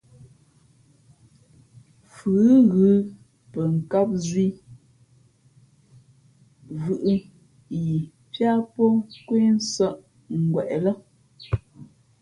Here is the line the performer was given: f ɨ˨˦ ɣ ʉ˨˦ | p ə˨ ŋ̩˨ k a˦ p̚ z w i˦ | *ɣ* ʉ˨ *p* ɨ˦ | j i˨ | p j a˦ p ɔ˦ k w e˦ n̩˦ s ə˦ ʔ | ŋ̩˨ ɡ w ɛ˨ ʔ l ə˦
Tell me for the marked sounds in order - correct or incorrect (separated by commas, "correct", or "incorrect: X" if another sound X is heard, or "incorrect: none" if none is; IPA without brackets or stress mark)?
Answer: incorrect: v, incorrect: ʔ